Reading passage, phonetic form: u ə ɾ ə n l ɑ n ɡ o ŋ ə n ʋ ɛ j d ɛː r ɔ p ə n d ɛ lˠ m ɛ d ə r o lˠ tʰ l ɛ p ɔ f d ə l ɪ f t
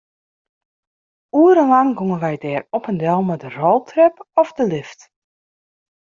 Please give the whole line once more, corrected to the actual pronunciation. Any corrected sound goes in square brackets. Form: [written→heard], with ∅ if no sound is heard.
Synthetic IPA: u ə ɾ ə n l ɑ [n→ŋ] ɡ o ŋ ə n ʋ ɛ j d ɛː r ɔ p ə n d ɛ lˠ m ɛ d ə r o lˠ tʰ [l→r] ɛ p ɔ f d ə l ɪ f t